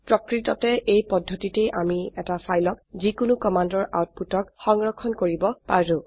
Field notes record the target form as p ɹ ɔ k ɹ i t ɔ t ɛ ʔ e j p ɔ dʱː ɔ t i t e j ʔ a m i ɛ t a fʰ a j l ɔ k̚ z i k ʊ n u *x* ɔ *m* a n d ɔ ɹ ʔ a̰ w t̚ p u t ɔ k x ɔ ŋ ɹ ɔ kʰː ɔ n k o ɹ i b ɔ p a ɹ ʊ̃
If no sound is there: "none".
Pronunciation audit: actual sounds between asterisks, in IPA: k, m

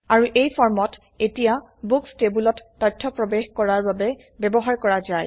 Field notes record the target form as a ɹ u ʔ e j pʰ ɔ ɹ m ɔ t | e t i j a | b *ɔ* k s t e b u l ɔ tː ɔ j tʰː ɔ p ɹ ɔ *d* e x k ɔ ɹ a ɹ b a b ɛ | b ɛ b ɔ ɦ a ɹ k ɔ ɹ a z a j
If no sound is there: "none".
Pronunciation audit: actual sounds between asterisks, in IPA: u, b

